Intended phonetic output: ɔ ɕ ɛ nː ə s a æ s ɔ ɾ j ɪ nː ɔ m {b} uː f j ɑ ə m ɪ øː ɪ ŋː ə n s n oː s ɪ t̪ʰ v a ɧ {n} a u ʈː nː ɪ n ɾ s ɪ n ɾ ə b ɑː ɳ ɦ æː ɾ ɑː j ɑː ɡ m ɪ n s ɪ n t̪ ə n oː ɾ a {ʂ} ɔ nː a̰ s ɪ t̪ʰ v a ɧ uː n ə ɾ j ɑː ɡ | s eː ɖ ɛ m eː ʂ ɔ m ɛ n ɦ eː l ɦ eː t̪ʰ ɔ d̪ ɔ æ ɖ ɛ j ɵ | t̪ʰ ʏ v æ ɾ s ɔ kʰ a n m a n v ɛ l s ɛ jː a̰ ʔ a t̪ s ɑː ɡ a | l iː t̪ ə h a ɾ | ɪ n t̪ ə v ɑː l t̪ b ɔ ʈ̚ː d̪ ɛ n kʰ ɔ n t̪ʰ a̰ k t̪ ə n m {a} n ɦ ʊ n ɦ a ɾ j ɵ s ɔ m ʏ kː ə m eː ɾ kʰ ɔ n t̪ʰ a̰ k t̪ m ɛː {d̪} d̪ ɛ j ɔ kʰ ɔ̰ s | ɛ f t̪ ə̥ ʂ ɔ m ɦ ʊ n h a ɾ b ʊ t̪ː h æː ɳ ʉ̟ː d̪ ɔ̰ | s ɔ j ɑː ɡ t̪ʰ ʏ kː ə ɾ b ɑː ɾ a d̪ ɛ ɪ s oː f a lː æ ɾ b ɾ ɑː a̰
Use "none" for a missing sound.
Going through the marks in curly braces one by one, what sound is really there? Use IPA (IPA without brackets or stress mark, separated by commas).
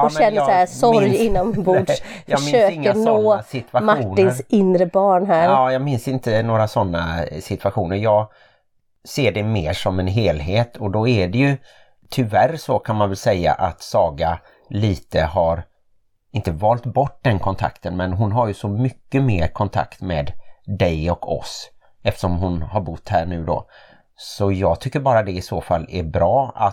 b, m, s, ɛ, d̪